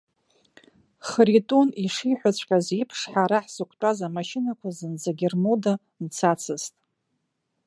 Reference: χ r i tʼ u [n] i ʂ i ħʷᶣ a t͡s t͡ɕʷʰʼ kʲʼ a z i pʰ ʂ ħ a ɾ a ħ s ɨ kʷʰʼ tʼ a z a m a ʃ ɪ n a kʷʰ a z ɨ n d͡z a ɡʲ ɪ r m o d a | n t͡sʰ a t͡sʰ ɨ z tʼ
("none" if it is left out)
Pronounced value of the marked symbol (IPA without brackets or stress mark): n